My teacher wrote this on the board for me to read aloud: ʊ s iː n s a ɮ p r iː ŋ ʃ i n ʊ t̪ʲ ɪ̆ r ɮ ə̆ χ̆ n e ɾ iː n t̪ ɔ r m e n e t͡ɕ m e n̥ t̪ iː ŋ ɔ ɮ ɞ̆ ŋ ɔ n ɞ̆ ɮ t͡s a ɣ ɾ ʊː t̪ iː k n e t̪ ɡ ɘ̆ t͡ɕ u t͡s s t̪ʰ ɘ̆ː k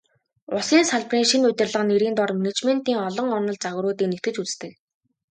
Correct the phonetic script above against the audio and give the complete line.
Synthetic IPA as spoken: ʊ s iː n s a ɮ p r iː ŋ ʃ i n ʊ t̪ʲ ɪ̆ r ɮ ə̆ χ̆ n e ɾ iː n t̪ ɔ r m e n e t͡ɕ m e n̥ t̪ iː ŋ ɔ ɮ ɞ̆ ŋ ɔ n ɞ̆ ɮ t͡s a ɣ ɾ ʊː t̪ iː k n e t̪ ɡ ɘ̆ t͡ɕ u t͡s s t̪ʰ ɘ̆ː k

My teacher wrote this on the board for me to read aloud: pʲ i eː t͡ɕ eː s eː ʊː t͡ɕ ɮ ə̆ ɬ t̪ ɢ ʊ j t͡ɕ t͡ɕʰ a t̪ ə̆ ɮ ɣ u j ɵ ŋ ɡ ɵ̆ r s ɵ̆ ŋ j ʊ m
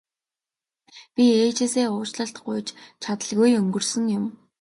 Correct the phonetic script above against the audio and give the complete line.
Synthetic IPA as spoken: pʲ i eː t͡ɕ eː s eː ʊː t͡ɕ ɮ ə̆ ɬ t̪ ɢ ʊ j t͡ɕ t͡ɕʰ a t̪ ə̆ ɮ ɣ u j ɵ ŋ ɡ ɵ̆ r s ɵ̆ ŋ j ʊ m

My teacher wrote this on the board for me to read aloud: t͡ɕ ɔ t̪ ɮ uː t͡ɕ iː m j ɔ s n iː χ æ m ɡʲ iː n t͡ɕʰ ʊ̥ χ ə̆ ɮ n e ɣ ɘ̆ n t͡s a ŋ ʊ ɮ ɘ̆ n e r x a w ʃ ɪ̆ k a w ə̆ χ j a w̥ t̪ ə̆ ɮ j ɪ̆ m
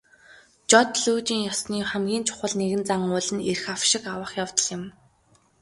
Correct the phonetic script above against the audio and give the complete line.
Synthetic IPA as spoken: t͡ɕ ɔ t̪ ɮ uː t͡ɕ iː ŋ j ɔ s n iː χ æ m ɡʲ iː n t͡ɕʰ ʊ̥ χ ə̆ ɮ n e ɣ ɘ̆ n t͡s a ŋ ʊ ɮ ɘ̆ n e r x a w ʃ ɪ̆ k a w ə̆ χ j a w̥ t̪ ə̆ ɮ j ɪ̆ m

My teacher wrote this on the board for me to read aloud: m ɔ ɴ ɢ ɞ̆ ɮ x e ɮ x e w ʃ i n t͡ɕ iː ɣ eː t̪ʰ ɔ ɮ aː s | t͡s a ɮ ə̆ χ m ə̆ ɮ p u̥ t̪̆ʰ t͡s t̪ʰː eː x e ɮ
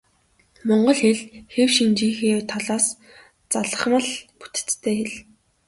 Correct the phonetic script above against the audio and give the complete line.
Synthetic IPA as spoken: m ɔ ɴ ɢ ɞ̆ ɮ x e ɮ x e w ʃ i n t͡ɕ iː x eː t̪ʰ ɔ ɮ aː s | t͡s a ɮ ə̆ χ m ə̆ ɮ p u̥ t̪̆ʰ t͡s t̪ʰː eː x e ɮ

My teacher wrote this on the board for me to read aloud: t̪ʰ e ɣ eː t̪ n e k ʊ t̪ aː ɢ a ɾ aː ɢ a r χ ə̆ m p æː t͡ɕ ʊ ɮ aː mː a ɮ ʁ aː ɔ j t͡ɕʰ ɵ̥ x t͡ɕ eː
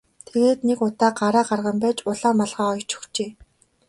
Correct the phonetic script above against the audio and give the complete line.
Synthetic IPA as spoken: t̪ʰ e ɣ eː t̪ n e k ʊ t̪ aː ɢ a ɾ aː ɢ a r ʁ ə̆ m p æː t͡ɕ ʊ ɮ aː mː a ɮ ʁ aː ɔ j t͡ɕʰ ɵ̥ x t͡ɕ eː

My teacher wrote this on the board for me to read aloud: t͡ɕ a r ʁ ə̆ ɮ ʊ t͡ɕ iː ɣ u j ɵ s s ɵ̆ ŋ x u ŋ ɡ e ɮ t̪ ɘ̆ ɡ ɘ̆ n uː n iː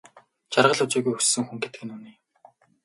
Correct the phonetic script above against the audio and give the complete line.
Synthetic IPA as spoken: t͡ɕ a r ʁ ə̆ ɮ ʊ t͡ɕ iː ɣ u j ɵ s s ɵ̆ ŋ x u ŋ ɡ e t̪ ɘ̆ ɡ ɘ̆ n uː n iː

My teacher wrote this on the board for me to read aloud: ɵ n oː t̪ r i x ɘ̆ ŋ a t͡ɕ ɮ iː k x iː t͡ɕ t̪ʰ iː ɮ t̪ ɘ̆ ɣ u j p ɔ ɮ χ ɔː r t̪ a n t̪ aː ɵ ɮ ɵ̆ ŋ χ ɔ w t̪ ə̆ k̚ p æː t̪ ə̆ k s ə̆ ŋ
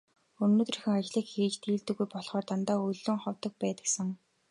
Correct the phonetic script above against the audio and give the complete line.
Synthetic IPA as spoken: ɵ n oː t̪ r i x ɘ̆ ŋ a t͡ɕ ɮ iː k x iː t͡ɕ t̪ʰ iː ɮ t̪ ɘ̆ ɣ u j p ɔ ɮ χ ɔː r t̪ a n t̪ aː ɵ ɮ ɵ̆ ŋ χ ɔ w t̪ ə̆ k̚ p æː t̪ ə̆ k s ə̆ ŋ

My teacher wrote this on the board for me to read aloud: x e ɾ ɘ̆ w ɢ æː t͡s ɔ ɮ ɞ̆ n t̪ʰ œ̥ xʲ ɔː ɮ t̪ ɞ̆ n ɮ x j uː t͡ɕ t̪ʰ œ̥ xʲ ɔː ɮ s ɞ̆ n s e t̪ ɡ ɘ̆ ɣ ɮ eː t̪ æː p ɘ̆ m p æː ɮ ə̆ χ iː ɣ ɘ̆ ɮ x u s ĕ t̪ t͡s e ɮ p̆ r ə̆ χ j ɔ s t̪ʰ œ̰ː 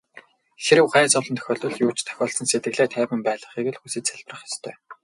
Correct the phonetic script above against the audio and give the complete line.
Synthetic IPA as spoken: x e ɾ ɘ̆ w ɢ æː t͡s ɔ ɮ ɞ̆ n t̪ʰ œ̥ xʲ ɔː ɮ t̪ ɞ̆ ɮ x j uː t͡ɕ t̪ʰ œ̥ xʲ ɔː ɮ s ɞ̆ n s e t̪ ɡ ɘ̆ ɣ ɮ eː t̪ʰ æː p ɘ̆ m p æː ɮ ə̆ χ iː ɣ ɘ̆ ɮ x u s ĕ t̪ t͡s æ ɮ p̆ r ə̆ χ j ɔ s t̪ʰ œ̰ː

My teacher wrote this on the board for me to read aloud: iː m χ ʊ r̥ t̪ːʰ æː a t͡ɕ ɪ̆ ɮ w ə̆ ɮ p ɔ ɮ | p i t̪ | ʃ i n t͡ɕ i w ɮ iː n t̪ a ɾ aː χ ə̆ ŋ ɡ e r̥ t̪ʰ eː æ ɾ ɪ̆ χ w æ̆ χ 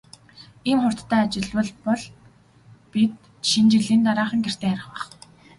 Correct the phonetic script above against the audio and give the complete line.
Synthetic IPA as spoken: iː m χ ʊ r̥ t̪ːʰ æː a t͡ɕ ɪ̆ ɮ w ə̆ ɮ p ɔ ɮ | p i t̪ | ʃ i n t͡ɕ i ɮ iː n t̪ a ɾ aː χ ə̆ ŋ ɡ e r̥ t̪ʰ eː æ ɾ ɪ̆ χ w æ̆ χ

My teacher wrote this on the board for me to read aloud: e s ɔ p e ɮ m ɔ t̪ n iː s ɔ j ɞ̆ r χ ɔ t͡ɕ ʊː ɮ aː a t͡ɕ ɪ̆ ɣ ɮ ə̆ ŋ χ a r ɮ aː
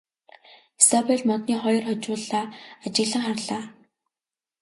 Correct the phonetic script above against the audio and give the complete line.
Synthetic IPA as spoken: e s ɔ p e ɮ m ɔ t̪ n iː χ ɔ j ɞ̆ r χ ɔ t͡ɕ ʊː ɮ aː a t͡ɕ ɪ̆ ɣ ɮ ə̆ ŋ χ a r ɮ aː

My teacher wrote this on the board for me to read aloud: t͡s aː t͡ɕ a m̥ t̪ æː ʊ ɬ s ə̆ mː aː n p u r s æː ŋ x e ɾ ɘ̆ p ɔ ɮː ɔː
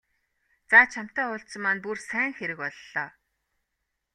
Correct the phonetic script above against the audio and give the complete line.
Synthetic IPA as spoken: t͡s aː t͡ɕʰ a m̥ t̪ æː ʊ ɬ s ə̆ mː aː n p u r s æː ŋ x e ɾ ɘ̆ k ɔ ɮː ɔː

